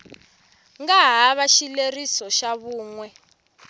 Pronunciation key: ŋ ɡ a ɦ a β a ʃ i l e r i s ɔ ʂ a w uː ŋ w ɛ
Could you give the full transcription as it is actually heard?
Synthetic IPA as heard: ŋ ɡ a ɦ a β a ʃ i l e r i s ɔ ʃ a β uː ŋ w ɛ